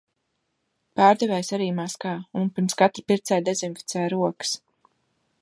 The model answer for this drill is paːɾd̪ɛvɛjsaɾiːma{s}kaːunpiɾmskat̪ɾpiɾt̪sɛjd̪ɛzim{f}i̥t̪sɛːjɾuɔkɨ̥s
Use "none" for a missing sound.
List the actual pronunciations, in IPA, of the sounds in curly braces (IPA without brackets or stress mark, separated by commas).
s, f